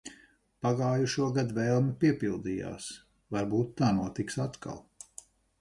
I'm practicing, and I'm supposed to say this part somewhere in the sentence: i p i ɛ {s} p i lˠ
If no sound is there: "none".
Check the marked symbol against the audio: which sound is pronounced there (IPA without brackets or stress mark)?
none